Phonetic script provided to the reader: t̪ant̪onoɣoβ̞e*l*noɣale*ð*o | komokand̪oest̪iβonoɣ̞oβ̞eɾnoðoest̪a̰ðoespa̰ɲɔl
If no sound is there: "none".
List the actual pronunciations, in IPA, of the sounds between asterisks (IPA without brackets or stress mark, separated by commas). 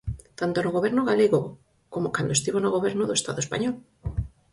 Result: ɾ, ɣ